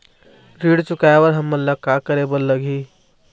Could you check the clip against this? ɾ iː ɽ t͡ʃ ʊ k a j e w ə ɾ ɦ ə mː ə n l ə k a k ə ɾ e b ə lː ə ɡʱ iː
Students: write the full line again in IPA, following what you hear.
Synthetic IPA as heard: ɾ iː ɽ t͡ʃ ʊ k a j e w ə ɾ ɦ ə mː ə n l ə k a k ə ɾ e b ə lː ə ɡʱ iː